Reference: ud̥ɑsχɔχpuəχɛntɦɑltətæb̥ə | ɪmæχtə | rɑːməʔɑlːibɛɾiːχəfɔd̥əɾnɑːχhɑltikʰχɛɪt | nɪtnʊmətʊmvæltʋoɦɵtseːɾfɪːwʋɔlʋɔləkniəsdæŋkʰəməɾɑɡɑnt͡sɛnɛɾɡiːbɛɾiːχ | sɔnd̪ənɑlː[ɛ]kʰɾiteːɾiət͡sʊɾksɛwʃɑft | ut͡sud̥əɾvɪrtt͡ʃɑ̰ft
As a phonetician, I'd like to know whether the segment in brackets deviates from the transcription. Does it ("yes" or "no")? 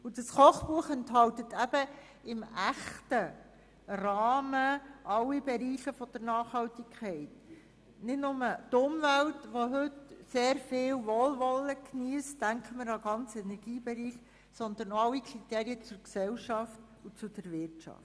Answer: yes